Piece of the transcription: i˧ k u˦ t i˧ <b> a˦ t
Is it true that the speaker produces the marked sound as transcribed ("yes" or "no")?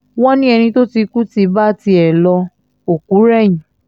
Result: yes